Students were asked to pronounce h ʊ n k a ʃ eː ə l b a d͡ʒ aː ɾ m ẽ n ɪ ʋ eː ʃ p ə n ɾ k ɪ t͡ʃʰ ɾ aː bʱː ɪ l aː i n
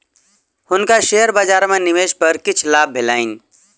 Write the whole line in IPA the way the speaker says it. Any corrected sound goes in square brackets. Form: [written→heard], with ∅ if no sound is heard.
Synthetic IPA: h ʊ n k a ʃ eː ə [l→ɾ] b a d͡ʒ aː ɾ m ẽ n ɪ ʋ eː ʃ p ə [n→∅] ɾ k ɪ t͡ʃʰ [ɾ→l] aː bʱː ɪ l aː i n